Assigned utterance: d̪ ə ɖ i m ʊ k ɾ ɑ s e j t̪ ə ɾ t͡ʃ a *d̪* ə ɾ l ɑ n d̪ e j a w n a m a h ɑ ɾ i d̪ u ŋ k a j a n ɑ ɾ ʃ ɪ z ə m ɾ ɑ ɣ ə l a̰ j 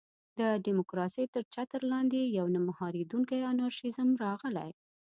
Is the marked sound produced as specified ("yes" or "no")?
no